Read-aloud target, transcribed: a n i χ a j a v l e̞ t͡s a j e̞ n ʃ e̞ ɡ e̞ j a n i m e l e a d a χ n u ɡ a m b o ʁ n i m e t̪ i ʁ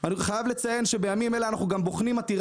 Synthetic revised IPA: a n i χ a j a v l e̞ t͡s a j e̞ n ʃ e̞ b e̞ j a m i m e l e a n a χ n u ɡ a m b o χ n i m a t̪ i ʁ